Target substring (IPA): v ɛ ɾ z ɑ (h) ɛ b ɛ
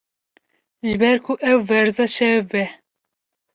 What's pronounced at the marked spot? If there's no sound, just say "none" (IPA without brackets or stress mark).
ʃ